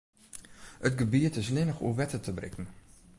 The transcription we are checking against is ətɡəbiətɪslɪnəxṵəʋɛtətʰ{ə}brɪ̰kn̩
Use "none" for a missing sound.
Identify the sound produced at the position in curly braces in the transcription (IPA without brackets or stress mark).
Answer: ə